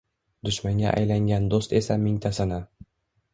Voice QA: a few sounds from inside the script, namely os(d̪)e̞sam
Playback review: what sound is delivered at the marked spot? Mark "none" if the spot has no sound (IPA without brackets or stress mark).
t̪